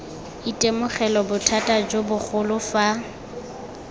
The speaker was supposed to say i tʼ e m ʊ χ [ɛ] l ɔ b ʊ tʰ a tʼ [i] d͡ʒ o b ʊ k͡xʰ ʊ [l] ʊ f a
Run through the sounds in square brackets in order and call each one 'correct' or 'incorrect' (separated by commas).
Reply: correct, incorrect, correct